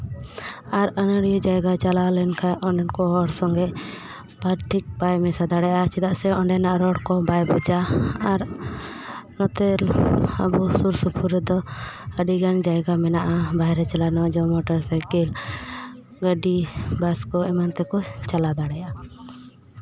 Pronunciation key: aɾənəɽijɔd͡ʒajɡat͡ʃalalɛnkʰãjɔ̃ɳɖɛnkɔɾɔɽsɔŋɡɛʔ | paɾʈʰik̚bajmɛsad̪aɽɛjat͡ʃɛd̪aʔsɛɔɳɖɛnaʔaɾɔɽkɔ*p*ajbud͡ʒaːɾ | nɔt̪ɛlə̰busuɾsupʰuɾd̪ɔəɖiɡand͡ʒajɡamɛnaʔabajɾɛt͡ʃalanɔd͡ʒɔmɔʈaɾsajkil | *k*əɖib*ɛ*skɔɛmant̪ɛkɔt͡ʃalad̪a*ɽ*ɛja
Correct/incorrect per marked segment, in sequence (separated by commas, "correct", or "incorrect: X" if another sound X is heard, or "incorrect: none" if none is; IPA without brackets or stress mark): incorrect: b, incorrect: ɡ, incorrect: a, correct